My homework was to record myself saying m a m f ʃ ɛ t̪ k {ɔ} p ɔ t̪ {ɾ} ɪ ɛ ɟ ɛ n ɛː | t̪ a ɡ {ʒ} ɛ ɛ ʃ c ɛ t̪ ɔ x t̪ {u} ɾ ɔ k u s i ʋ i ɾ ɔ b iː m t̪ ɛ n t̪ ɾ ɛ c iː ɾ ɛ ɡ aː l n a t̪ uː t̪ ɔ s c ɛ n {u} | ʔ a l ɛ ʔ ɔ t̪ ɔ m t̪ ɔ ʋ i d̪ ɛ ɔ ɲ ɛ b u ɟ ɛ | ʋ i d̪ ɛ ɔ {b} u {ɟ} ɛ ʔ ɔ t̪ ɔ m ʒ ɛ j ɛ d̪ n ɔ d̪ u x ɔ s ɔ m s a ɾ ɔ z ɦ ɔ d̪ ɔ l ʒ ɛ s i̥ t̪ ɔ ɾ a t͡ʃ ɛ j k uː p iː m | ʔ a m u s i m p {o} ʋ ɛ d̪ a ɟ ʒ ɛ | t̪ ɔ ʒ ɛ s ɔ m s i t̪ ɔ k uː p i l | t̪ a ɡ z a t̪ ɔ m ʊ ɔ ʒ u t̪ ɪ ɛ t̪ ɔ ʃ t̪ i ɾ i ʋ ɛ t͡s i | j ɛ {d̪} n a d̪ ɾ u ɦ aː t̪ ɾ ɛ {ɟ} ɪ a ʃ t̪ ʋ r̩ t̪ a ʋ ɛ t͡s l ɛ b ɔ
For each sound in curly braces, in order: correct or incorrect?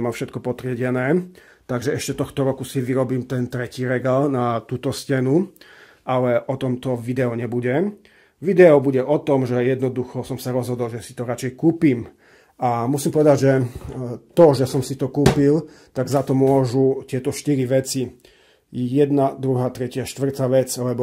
correct, correct, correct, incorrect: ɔ, correct, correct, correct, incorrect: ɔ, correct, incorrect: c

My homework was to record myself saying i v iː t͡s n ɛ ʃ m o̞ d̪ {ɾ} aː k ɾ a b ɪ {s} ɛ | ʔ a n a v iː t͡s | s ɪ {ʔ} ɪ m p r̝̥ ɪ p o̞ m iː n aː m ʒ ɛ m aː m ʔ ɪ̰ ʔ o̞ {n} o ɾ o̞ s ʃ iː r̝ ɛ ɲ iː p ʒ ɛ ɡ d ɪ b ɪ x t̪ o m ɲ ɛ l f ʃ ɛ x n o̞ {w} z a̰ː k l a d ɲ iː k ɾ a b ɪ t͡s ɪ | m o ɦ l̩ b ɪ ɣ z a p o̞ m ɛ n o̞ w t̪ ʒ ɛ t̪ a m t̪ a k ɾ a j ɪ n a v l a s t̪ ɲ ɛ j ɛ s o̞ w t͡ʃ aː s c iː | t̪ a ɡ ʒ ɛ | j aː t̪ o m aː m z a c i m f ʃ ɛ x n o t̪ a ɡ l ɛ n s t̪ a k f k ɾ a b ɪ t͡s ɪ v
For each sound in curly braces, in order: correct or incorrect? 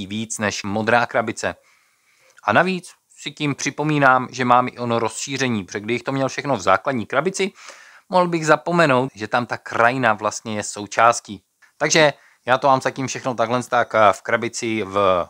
correct, incorrect: t͡s, incorrect: c, correct, incorrect: v

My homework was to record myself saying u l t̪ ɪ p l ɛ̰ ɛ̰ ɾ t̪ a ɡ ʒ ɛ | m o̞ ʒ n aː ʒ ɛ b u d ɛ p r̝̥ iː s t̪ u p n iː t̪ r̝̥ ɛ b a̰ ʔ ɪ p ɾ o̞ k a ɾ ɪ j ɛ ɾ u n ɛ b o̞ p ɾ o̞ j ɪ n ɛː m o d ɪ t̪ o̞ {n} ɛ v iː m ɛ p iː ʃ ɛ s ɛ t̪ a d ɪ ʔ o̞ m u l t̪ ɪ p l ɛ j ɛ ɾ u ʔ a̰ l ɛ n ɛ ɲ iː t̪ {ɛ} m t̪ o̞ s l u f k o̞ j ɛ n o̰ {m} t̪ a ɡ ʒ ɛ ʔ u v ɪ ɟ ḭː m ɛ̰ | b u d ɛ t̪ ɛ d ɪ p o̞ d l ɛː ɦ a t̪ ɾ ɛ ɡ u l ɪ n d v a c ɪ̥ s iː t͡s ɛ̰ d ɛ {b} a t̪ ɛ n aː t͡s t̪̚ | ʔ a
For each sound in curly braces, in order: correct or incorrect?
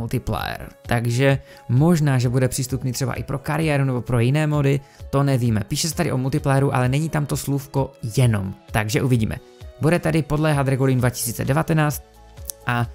correct, incorrect: a, correct, incorrect: v

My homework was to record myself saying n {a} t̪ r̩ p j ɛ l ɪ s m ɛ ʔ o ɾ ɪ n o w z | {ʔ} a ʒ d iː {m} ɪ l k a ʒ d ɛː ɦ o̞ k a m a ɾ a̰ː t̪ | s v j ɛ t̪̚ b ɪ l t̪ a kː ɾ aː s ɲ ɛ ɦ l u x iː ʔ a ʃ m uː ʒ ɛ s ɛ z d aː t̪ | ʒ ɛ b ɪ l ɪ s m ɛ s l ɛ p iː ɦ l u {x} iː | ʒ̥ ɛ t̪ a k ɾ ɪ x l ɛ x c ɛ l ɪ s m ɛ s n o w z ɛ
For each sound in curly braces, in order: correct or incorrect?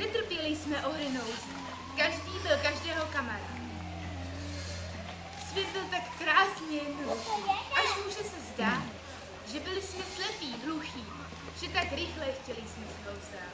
incorrect: ɛ, incorrect: k, incorrect: b, correct

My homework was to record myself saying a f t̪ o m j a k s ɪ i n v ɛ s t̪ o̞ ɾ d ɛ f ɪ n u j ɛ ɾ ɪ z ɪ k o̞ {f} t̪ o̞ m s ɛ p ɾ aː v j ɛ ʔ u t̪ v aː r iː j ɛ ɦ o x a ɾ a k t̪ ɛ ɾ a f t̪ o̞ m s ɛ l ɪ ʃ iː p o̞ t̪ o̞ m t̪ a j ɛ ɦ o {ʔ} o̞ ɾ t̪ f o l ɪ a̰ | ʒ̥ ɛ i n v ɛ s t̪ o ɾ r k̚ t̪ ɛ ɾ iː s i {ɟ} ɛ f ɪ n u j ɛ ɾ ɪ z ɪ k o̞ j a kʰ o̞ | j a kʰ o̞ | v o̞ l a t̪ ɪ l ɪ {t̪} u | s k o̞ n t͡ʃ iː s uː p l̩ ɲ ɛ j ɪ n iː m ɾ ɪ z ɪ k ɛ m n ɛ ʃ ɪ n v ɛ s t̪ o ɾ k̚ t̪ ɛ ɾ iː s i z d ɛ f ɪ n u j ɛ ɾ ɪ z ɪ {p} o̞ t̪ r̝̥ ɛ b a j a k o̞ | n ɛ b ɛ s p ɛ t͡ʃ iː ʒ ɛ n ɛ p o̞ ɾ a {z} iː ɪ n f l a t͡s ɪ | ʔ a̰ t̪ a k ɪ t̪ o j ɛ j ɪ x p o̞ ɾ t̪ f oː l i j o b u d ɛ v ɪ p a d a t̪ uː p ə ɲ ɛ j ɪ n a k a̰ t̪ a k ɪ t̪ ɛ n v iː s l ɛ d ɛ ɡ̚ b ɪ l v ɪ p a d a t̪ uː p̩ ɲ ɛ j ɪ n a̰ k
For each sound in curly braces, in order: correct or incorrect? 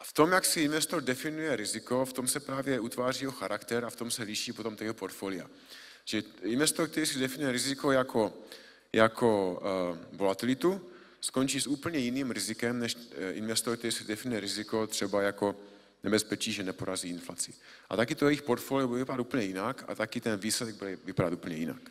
correct, incorrect: p, incorrect: d, correct, incorrect: k, correct

